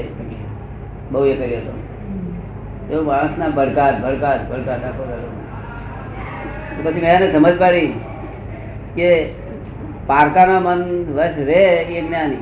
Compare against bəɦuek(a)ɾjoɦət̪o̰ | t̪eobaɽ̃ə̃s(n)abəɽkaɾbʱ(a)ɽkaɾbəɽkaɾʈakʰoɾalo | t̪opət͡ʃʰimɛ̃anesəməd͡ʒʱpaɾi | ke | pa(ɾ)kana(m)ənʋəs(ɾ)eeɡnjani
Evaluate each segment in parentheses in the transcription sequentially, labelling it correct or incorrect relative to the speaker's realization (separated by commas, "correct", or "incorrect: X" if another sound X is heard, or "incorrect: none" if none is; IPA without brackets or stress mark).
incorrect: ə, correct, incorrect: ə, correct, correct, correct